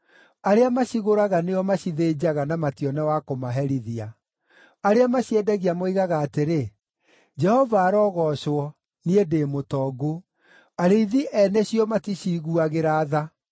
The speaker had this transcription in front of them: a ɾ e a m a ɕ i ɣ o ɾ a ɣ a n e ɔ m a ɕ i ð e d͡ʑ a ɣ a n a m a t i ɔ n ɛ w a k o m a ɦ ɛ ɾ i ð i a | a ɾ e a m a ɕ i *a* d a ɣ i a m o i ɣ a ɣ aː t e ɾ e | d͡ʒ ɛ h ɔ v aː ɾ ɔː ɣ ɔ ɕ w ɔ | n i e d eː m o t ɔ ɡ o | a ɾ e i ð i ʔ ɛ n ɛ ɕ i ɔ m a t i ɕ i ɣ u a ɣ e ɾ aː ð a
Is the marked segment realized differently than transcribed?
yes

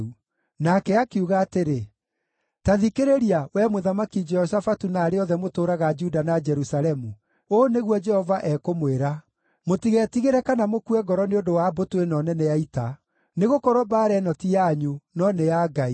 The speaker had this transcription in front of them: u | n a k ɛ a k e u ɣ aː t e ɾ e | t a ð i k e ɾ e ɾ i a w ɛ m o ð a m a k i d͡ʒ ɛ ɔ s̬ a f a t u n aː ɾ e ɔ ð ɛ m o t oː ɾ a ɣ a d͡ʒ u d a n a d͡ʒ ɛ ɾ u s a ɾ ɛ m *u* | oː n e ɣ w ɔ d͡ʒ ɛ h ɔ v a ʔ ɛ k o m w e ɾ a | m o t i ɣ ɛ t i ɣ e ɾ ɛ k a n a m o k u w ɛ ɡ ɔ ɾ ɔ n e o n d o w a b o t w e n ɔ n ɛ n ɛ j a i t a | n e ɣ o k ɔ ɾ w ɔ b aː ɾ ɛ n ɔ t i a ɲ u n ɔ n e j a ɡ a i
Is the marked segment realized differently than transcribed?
no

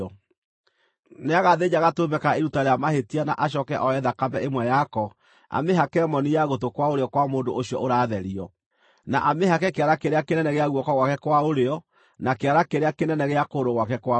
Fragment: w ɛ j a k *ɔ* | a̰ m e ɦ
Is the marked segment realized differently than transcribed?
no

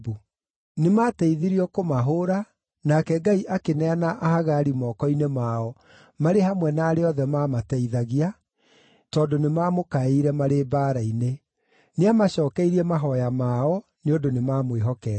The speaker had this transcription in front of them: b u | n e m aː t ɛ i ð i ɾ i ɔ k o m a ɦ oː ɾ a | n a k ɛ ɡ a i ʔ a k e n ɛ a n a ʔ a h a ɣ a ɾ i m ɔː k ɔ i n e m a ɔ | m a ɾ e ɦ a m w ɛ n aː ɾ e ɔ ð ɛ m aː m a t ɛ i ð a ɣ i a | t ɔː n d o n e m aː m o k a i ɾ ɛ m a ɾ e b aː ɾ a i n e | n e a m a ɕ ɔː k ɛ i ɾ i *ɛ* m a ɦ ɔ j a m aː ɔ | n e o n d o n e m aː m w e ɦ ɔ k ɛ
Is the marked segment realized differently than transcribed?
no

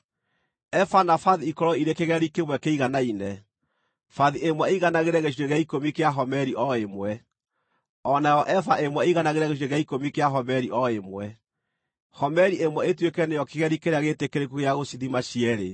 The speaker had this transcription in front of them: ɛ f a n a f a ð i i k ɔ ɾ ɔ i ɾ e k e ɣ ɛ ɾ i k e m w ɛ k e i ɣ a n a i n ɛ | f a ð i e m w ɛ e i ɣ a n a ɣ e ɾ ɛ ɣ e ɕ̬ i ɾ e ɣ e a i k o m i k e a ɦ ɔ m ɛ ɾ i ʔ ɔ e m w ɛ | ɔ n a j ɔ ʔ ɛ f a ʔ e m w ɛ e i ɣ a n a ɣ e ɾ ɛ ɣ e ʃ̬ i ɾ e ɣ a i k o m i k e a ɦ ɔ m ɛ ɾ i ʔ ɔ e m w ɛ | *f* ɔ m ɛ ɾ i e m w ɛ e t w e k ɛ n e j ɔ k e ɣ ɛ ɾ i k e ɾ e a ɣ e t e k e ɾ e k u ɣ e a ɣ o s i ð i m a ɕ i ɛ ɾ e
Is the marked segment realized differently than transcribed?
yes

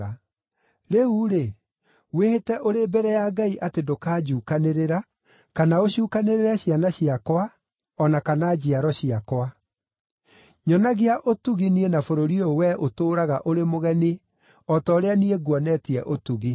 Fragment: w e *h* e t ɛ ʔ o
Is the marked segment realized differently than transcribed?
no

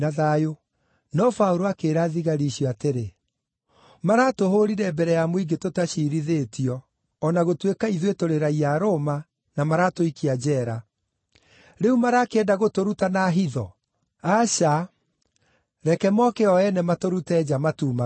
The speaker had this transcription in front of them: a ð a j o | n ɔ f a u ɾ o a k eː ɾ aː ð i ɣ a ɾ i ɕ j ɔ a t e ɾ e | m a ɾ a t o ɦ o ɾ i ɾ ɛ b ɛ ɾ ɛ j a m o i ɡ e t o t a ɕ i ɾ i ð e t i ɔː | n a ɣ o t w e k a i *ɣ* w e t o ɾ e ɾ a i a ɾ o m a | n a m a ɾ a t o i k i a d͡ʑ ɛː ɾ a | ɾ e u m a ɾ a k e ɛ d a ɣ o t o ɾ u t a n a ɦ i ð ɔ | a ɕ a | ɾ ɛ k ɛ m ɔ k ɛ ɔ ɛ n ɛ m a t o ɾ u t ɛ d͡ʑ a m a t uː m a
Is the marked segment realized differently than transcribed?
yes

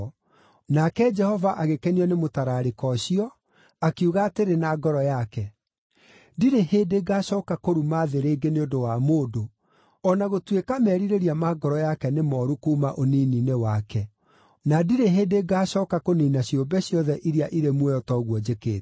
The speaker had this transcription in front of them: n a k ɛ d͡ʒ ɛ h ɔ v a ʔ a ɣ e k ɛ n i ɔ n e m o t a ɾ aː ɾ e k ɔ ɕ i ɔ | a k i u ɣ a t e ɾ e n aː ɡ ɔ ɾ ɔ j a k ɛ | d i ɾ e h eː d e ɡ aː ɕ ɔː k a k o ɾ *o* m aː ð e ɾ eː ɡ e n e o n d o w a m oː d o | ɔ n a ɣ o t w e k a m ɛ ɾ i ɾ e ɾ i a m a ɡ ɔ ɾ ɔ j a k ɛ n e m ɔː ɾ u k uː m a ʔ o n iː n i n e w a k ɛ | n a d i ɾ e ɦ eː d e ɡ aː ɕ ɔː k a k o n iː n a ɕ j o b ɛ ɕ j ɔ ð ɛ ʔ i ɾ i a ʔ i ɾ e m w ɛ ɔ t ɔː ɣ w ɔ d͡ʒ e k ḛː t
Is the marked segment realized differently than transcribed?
yes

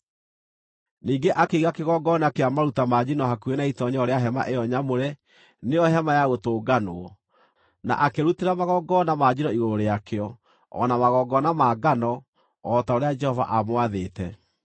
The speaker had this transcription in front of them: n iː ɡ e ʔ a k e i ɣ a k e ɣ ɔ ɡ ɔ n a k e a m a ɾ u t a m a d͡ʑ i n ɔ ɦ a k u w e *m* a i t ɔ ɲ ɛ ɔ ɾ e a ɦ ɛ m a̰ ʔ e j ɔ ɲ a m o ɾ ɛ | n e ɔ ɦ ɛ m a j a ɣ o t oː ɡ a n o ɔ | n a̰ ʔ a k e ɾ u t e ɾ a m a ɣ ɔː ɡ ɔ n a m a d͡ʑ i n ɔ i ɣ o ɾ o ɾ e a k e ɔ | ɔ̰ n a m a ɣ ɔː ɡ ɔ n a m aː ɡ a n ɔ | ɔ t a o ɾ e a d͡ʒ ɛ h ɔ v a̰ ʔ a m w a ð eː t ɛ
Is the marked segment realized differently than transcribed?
yes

